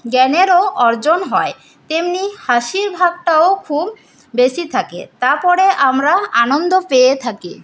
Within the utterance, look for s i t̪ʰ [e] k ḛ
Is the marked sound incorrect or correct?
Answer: incorrect